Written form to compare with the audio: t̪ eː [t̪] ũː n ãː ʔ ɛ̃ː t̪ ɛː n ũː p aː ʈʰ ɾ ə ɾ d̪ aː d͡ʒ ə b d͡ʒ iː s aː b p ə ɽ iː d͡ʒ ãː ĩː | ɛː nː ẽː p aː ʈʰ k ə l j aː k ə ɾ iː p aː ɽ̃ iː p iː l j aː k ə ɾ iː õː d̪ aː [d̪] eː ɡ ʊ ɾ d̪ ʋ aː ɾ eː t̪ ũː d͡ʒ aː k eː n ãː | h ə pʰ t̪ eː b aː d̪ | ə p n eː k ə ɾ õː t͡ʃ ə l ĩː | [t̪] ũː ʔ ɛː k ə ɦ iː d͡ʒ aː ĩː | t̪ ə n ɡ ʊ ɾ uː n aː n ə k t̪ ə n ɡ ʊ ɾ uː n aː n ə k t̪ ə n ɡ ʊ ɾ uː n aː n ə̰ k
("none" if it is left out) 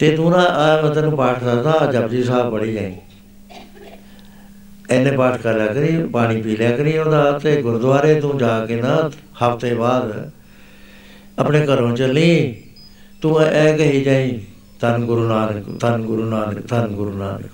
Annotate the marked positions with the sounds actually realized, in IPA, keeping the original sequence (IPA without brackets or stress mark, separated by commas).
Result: t̪, t̪, t̪